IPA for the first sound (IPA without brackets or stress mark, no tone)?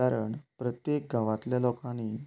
a